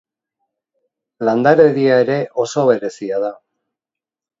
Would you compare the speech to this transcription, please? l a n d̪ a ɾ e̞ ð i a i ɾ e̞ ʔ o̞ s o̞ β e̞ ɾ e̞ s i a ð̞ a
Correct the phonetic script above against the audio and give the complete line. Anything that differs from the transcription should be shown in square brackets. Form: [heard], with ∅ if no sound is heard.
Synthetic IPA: l a n d̪ a ɾ e̞ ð i a [e] ɾ e̞ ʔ o̞ s o̞ β e̞ ɾ e̞ s i a ð̞ a